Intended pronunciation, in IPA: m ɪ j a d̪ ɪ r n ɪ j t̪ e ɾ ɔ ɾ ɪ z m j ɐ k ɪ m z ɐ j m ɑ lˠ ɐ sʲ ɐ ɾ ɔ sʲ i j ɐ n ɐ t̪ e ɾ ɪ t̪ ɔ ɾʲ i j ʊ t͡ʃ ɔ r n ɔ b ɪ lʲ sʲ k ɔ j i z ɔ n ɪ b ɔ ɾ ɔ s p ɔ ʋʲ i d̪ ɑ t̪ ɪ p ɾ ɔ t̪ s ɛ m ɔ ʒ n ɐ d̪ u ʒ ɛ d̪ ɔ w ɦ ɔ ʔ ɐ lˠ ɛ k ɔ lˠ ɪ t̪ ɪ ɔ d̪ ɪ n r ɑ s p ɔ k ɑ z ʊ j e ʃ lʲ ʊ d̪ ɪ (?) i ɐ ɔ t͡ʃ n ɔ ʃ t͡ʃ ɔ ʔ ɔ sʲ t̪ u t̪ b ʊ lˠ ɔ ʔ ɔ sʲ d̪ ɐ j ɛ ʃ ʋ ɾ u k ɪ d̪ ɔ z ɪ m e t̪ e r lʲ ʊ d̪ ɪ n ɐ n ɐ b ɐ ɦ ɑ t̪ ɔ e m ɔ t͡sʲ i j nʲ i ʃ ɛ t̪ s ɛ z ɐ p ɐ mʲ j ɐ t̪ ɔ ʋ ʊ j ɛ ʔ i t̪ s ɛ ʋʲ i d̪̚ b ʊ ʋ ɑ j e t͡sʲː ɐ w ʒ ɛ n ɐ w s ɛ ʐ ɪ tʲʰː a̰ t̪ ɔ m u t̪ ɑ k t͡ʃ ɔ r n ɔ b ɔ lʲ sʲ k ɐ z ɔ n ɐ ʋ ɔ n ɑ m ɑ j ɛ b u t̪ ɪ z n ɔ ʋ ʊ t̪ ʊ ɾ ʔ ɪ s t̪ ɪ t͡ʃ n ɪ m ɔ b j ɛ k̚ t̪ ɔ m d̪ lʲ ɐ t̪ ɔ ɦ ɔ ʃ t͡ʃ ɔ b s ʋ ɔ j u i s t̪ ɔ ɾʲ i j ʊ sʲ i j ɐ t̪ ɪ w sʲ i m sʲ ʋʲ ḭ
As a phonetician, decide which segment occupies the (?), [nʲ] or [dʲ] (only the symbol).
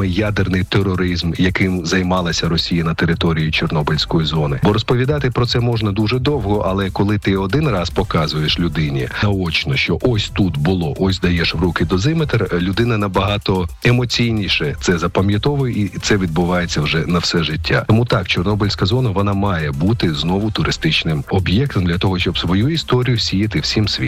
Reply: nʲ